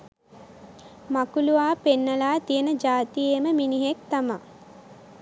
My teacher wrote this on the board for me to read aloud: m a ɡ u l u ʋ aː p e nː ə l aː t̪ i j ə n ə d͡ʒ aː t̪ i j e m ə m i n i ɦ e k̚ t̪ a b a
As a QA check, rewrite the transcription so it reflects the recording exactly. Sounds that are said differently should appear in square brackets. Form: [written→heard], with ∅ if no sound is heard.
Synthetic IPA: m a [ɡ→k] u l u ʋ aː p e nː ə l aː t̪ i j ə n ə d͡ʒ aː t̪ i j e m ə m i n i ɦ e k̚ t̪ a [b→m] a